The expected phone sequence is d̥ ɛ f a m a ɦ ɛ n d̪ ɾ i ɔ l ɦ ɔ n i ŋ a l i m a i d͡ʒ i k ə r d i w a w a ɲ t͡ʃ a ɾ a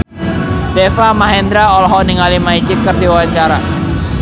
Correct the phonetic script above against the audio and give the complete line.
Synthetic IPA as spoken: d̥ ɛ f a m a ɦ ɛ n d̪ ɾ a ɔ l ɦ ɔ n i ŋ a l i m a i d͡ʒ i k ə r d i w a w a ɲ t͡ʃ a ɾ a